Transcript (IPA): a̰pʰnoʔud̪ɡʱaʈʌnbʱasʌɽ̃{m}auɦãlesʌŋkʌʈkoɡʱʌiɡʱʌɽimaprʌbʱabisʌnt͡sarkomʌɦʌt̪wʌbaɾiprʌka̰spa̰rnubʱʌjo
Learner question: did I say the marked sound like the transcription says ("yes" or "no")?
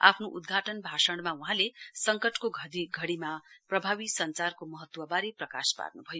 yes